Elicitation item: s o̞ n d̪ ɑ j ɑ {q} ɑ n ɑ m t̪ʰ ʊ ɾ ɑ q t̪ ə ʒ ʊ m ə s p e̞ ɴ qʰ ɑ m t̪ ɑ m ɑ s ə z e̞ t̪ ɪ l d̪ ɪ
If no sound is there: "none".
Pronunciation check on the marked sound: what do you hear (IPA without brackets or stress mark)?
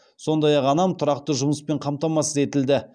q